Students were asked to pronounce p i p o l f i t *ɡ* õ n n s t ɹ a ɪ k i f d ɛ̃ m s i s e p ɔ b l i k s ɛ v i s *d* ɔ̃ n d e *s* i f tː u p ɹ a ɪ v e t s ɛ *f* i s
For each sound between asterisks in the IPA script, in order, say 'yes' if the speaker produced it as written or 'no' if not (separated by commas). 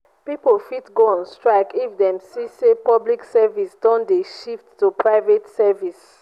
yes, yes, no, no